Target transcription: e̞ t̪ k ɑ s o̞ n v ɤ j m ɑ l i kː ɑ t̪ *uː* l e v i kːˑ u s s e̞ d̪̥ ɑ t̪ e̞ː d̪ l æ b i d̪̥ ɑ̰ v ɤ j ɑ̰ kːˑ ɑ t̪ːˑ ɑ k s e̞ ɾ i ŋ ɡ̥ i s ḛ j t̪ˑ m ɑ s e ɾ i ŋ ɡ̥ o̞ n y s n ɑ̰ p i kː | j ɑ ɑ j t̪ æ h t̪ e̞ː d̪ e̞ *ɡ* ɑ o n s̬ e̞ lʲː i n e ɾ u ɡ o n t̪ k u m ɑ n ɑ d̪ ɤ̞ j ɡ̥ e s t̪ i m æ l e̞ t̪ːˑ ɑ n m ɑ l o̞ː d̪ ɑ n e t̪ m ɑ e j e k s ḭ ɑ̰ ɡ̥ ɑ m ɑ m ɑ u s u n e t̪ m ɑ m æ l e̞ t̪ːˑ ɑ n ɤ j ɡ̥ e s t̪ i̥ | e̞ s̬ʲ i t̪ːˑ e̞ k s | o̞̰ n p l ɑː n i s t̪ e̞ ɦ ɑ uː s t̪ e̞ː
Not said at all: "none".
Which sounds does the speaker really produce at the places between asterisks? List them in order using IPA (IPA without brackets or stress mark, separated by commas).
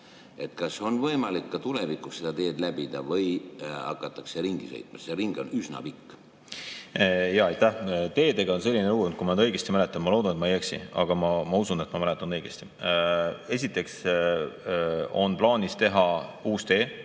u, ɡ